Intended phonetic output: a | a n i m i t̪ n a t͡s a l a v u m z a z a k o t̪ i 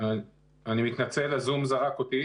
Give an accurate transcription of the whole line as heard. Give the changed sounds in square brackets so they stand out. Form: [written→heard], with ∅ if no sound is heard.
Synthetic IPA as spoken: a | a n i m i t̪ n a t͡s [a→e] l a [v→z] u m z a [z→ʁ] a k o t̪ i